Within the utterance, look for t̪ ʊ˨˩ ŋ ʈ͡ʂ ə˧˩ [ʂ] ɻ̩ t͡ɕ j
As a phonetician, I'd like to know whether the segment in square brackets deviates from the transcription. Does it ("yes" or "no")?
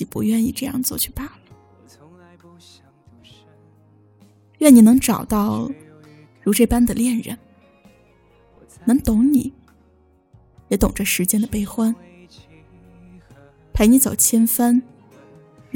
no